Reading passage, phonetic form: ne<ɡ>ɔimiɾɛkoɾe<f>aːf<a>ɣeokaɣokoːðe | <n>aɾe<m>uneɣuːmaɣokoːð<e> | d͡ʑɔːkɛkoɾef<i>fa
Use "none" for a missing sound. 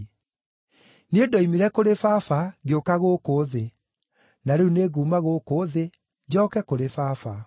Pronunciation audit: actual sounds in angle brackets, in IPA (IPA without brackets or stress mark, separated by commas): d, f, a, n, none, e, a